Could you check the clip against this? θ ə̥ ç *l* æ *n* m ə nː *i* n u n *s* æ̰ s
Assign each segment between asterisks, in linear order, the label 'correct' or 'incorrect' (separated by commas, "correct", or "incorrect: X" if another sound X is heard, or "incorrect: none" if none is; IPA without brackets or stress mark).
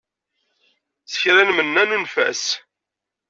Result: incorrect: ɾ, correct, incorrect: æ, incorrect: f